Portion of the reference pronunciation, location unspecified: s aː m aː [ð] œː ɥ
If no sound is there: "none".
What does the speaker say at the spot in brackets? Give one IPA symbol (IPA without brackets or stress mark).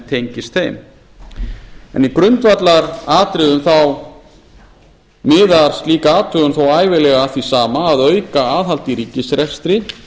ð